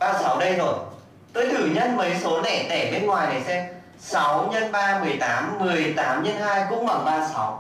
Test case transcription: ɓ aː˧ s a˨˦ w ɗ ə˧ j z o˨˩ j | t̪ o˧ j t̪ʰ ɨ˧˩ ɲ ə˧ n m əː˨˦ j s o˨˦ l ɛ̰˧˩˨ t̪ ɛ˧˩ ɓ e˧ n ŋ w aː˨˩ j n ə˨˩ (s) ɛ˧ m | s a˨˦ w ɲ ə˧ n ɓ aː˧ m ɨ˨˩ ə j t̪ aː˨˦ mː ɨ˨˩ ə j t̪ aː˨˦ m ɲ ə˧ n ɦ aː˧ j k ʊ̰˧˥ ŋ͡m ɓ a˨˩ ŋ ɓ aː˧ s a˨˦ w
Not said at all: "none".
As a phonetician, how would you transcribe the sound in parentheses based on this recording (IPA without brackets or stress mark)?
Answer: s